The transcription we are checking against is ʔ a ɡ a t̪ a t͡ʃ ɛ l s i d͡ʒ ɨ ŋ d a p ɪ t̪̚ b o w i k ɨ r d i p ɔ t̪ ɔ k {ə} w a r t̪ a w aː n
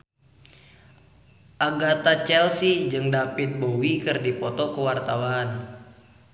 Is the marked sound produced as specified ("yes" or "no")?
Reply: yes